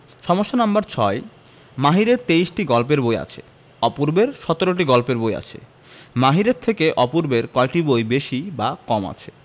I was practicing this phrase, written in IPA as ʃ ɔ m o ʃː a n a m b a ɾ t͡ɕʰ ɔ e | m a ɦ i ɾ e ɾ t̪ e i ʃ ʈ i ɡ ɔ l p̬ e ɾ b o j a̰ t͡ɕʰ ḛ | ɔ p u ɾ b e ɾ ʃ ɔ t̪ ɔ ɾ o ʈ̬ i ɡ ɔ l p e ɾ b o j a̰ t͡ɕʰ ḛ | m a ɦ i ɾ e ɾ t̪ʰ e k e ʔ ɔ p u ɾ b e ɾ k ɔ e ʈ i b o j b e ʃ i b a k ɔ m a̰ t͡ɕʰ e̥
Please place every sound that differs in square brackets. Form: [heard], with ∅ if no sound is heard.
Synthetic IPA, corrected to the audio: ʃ ɔ m o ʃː a n a m b a ɾ t͡ɕʰ ɔ e | m a ɦ i ɾ e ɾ t̪ e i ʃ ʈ i ɡ ɔ l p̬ e ɾ b o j a̰ t͡ɕʰ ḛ | ɔ p u ɾ b e ɾ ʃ ɔ t̪ [o] ɾ o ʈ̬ i ɡ ɔ l p e ɾ b o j a̰ t͡ɕʰ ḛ | m a ɦ i ɾ e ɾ t̪ʰ e k e ʔ ɔ p u ɾ b e ɾ k ɔ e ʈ i b o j b e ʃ i b a k ɔ m a̰ t͡ɕʰ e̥